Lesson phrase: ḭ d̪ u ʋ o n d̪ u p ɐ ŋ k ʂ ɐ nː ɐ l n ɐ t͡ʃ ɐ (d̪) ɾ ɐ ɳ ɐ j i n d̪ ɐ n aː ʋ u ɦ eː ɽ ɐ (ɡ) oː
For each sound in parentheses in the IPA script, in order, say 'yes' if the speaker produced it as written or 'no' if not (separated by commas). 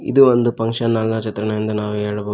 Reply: no, no